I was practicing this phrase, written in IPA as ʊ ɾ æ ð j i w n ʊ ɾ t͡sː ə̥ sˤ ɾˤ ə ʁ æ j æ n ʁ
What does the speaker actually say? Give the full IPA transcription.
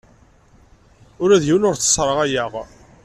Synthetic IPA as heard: ʊ ɾ æ ð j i w n ʊ ɾ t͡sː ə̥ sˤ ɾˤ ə ʁ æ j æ ʁ